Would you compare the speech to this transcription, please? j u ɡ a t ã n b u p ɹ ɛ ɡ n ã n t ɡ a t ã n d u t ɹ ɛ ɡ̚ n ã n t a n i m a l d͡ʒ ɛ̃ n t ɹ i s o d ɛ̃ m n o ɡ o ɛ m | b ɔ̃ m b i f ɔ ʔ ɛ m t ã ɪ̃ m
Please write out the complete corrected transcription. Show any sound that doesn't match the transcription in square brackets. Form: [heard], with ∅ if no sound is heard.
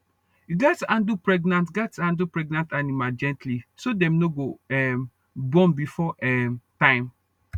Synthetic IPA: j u ɡ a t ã n [d] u p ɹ ɛ ɡ n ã n t ɡ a t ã n d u [p] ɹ ɛ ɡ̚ n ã n t a n i m a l d͡ʒ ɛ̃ n t [l] i s o d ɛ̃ m n o ɡ o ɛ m | b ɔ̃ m b i f ɔ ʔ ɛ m t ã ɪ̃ m

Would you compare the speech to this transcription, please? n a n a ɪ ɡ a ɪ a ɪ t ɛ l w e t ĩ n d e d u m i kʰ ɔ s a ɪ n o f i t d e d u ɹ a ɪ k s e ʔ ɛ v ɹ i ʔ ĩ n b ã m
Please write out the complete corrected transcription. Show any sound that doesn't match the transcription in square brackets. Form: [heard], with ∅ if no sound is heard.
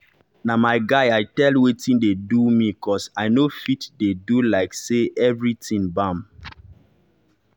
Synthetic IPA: n a [m] a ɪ ɡ a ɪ a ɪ t ɛ l w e t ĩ n d e d u m i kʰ ɔ s a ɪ n o f i t d e d u [l] a ɪ k s e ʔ ɛ v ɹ i [t] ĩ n b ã m

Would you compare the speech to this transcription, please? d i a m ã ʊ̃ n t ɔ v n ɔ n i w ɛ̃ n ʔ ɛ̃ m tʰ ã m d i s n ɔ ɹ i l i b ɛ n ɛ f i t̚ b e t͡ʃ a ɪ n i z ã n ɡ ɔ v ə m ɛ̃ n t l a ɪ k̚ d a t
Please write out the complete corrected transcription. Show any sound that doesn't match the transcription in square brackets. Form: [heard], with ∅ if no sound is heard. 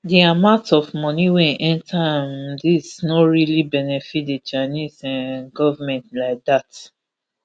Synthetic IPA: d i a m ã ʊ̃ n t ɔ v [m] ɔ n i w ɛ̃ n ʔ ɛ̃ [n] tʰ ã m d i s n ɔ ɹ i l i b ɛ n ɛ f i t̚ [d] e t͡ʃ a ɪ n i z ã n ɡ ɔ v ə m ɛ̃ n t l a ɪ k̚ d a t

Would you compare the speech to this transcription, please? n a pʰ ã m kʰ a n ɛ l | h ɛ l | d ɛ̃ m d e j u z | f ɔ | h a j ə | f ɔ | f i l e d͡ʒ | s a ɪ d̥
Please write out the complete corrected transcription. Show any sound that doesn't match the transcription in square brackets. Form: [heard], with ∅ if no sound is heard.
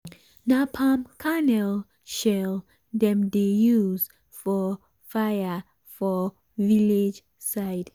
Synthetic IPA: n a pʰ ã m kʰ a n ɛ l | [ʃ] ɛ l | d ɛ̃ m d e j u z | f ɔ | [f] a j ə | f ɔ | [v] i l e d͡ʒ | s a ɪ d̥

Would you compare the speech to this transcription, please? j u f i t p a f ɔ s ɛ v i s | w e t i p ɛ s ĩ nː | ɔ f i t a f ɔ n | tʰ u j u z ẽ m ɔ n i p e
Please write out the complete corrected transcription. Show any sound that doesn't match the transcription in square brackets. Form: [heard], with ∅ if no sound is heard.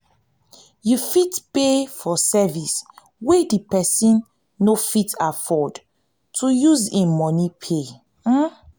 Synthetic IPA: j u f i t p [e] f ɔ s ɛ v i s | w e [d] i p ɛ s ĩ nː | [o] f i t a f ɔ [d] | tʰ u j u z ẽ m ɔ n i [pʰ] e

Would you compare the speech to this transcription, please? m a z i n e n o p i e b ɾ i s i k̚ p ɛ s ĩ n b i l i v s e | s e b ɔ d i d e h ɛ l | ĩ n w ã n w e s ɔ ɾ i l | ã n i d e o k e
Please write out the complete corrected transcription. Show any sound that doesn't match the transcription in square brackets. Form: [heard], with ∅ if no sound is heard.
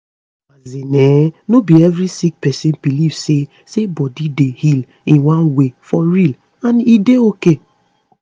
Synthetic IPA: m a z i n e n o [b] i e [v] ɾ i s i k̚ p ɛ s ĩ n b i l i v s e | s e b ɔ d i d e h [i] l | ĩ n w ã n w e [f] ɔ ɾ i l | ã n i d e o k e

